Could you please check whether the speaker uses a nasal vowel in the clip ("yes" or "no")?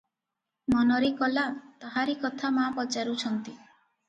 no